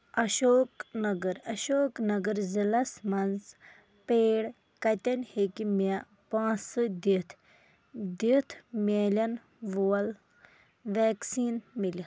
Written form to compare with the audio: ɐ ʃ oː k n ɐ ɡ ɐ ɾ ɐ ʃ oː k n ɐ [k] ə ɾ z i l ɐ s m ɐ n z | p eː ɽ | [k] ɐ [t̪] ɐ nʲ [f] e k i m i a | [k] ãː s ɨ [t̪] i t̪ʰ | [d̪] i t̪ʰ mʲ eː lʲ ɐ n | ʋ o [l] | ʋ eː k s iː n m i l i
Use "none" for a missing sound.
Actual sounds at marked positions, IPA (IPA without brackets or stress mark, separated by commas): ɡ, k, t̪, h, p, d̪, d̪, l